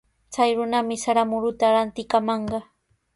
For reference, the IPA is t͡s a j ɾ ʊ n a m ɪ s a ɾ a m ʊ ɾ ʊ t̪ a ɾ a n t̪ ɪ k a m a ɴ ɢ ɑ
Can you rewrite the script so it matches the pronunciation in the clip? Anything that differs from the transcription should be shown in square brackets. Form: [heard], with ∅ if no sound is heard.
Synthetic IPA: t͡s a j ɾ ʊ n a m ɪ s a ɾ a m ʊ ɾ ʊ t̪ a ɾ a n t̪ ɪ k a m [ɑ] ɴ ɢ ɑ